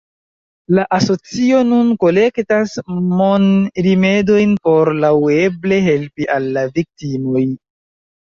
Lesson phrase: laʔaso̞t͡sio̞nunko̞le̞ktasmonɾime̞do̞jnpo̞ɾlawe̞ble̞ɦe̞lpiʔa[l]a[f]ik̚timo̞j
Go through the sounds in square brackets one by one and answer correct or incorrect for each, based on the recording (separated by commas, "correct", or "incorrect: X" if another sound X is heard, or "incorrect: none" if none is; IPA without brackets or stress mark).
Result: incorrect: lː, incorrect: v